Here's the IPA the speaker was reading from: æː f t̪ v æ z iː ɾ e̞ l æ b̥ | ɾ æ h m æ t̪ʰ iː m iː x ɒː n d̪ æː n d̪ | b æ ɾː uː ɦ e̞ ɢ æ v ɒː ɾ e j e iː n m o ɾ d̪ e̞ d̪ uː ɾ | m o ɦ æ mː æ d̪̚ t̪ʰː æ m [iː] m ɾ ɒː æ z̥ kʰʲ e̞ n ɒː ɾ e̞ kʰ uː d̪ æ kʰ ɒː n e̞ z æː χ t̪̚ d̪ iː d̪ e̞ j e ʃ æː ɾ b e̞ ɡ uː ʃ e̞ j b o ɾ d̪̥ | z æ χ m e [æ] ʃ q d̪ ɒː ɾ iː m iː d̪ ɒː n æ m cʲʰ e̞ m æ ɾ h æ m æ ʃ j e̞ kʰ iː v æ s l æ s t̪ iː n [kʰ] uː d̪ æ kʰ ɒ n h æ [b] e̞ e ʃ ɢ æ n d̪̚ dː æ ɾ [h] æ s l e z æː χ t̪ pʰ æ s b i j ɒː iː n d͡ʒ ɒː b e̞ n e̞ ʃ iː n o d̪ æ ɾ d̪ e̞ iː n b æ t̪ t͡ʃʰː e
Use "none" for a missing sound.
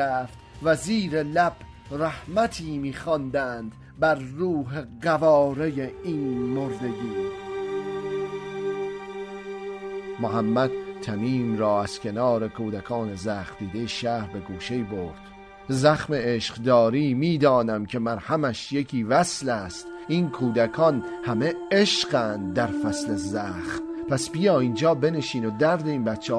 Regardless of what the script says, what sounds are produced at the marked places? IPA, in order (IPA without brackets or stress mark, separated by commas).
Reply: iː, e, kʰ, m, f